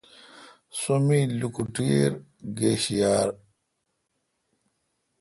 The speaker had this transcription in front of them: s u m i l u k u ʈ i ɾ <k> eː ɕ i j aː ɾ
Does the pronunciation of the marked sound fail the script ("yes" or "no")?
yes